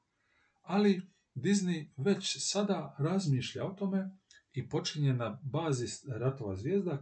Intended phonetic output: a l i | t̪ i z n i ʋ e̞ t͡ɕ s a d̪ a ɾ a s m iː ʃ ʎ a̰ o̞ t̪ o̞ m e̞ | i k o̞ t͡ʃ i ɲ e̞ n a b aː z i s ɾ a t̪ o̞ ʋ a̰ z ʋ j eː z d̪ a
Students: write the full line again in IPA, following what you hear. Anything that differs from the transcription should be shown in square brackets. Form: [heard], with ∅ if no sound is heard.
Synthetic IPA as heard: a l i | [d̪] i z n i ʋ e̞ t͡ɕ s a d̪ a ɾ a [z] m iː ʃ ʎ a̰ o̞ t̪ o̞ m e̞ | i [p] o̞ t͡ʃ i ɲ e̞ n a b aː z i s ɾ a t̪ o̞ ʋ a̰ z ʋ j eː z d̪ a